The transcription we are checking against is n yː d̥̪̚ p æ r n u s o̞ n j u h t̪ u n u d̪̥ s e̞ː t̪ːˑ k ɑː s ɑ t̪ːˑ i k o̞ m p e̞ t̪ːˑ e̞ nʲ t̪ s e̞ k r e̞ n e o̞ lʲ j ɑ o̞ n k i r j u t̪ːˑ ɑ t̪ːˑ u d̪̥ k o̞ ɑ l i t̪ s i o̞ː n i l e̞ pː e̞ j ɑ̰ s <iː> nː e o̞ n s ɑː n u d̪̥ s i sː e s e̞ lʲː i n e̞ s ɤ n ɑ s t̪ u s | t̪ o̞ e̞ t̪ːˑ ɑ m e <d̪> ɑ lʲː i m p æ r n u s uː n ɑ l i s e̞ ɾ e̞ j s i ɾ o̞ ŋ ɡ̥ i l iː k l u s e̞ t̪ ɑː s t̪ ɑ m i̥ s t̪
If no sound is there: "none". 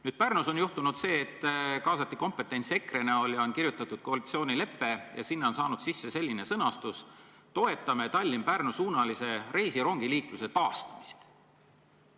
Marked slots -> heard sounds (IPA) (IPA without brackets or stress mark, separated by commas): i, t̪